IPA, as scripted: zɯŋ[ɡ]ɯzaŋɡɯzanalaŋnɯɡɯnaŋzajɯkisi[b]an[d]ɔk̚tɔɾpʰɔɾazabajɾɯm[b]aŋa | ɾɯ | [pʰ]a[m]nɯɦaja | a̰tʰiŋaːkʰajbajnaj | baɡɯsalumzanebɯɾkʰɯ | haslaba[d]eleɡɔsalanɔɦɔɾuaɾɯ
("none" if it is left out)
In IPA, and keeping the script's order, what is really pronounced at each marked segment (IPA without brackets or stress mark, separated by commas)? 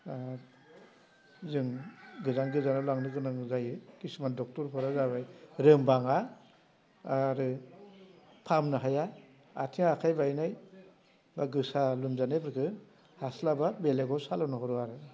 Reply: ɡ, m, d, b, pʰ, m, b